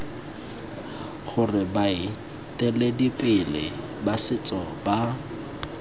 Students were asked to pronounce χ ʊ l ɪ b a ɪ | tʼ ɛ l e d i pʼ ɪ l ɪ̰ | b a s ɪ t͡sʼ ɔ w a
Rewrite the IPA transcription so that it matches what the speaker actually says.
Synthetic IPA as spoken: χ ʊ r ɪ b a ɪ | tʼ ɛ l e d i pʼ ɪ l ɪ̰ | b a s ɪ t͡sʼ ɔ b a